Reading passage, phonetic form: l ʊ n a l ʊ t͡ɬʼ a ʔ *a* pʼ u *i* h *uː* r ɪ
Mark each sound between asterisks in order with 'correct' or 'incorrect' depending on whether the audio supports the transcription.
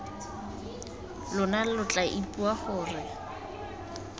incorrect: i, incorrect: a, incorrect: ʊː

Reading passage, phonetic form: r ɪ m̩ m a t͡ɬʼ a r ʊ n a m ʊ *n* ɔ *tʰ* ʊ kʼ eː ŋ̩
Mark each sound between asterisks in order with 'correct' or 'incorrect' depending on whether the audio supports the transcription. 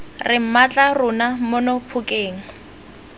correct, incorrect: pʰ

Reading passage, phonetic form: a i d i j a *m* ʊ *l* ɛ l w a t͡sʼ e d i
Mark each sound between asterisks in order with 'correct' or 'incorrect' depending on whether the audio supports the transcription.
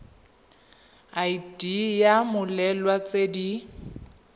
correct, correct

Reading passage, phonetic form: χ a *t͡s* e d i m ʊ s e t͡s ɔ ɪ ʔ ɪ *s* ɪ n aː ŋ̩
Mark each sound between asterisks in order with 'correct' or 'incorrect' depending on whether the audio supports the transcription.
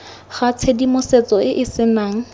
incorrect: t͡sʰ, correct

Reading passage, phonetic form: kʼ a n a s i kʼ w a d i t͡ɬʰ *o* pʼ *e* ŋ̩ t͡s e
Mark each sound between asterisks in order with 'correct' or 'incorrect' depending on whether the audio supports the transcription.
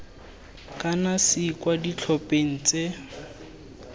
incorrect: ɔ, correct

